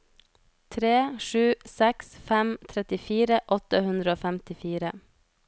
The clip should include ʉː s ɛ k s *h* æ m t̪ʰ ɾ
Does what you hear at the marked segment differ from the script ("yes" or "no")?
yes